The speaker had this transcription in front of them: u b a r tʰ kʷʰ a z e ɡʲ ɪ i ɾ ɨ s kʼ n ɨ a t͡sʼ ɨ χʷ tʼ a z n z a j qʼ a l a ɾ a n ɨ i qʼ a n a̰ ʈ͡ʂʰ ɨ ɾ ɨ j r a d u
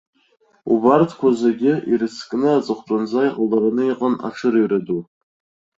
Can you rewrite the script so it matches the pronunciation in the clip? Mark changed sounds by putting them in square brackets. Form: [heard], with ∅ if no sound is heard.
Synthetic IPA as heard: u b a r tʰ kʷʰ a z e ɡʲ ɪ i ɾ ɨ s kʼ n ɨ a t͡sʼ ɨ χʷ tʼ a [∅] n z a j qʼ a l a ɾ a n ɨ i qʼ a n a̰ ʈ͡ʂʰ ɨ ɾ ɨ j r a d u